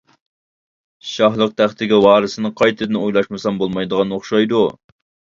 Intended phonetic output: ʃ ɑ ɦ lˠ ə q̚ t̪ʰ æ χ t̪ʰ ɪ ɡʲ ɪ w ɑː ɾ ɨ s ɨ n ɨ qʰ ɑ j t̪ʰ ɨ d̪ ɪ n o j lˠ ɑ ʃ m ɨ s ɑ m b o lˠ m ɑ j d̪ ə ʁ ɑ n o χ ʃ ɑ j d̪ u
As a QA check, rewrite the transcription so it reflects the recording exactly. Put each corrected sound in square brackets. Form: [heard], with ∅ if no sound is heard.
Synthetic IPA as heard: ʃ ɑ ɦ lˠ ə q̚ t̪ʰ æ χ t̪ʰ ɪ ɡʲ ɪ w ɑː ɾ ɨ s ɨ n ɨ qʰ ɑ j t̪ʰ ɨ d̪ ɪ n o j lˠ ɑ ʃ m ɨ s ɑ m b o lˠ m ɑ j d̪ ə ʁ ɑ n o χ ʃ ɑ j d̪ u